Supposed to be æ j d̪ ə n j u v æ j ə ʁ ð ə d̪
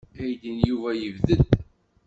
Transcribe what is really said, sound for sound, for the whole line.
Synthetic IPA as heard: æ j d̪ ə n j u v æ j ə v ð ə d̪